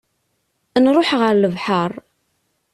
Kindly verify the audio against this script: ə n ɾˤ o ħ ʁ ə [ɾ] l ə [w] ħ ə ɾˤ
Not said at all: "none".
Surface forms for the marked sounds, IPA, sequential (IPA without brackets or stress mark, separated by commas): ɾ, v